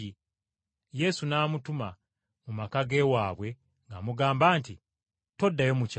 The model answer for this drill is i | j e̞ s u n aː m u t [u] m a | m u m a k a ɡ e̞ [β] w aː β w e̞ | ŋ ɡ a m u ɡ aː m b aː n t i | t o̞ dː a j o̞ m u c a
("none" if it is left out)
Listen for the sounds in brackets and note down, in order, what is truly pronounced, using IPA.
u, none

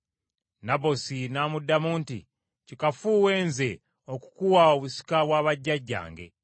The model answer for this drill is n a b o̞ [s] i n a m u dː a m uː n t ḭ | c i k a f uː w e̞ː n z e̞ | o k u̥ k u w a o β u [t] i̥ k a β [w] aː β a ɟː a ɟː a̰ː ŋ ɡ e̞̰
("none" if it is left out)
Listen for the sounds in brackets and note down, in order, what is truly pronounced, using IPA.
s, s, w

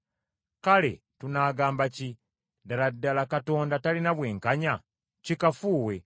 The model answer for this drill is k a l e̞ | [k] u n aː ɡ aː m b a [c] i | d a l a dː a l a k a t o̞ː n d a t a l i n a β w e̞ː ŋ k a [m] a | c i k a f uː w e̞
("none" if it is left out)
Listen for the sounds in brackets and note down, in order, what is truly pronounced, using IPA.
t, c, ɲ

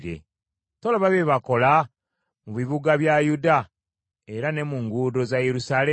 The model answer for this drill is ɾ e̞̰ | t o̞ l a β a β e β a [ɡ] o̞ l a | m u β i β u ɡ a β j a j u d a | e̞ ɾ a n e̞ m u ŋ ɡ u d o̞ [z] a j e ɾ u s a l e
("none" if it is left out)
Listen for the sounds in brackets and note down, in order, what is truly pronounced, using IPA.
k, z

